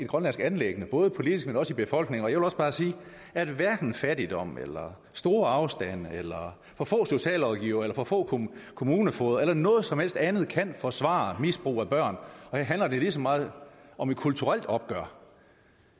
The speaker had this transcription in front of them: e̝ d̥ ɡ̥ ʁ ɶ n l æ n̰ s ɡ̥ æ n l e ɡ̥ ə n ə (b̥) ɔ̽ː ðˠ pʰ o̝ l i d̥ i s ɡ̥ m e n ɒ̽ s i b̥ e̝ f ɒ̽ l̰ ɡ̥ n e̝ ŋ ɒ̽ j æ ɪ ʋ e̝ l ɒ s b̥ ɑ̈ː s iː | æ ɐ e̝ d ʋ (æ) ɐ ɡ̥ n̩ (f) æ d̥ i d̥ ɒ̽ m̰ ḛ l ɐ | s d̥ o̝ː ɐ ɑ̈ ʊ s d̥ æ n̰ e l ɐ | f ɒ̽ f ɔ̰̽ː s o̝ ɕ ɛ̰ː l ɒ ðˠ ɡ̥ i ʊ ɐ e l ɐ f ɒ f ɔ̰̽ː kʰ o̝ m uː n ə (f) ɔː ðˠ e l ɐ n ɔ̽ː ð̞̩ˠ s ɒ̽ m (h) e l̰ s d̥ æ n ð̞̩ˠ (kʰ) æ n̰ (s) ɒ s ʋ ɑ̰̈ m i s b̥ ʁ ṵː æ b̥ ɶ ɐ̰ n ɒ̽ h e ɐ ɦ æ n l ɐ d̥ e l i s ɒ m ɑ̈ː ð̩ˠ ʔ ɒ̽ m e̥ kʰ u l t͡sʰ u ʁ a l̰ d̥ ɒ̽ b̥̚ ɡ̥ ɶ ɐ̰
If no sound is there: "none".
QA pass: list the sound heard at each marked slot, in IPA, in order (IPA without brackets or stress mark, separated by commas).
b̥, æ, f, f, h, kʰ, f